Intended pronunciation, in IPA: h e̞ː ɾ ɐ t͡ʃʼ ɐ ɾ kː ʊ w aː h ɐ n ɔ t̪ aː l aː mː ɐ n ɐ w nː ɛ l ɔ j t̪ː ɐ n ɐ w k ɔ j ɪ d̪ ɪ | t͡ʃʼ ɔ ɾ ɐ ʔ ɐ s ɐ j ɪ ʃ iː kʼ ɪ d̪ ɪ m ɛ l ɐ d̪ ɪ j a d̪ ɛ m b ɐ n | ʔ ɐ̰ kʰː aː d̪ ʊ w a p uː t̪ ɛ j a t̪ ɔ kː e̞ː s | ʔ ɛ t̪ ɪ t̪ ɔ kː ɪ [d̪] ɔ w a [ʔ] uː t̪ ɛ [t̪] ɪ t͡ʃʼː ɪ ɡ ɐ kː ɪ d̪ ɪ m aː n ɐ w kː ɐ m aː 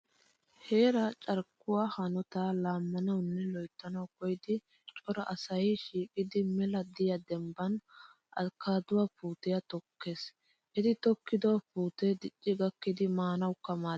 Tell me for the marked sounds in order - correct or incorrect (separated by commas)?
correct, incorrect, incorrect